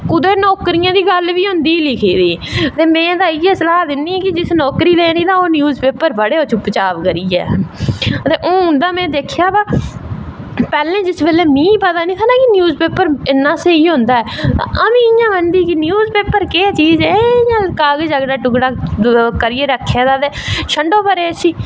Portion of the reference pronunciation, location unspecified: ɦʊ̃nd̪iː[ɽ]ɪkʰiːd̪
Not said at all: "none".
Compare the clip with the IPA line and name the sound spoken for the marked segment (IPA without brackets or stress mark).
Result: l